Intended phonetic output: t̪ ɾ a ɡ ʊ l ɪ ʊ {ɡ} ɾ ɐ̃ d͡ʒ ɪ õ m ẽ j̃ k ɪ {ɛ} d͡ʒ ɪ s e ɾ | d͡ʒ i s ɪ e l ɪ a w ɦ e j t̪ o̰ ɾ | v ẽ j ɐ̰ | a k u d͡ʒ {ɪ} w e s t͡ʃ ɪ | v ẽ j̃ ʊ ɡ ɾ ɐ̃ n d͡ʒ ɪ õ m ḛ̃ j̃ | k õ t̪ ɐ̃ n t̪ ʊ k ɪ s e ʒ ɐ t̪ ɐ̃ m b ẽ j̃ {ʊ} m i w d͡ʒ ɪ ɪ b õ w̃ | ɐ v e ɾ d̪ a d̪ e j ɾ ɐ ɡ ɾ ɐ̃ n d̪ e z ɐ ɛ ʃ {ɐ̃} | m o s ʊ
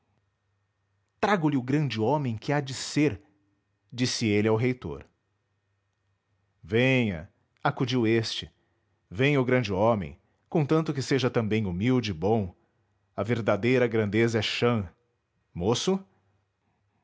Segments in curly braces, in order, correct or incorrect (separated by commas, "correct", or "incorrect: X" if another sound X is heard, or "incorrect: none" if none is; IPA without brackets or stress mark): correct, incorrect: a, incorrect: i, incorrect: u, correct